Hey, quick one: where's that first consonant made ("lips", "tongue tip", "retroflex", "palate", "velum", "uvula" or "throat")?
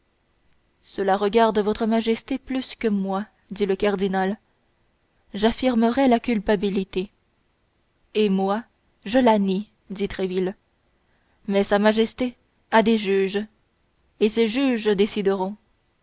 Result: tongue tip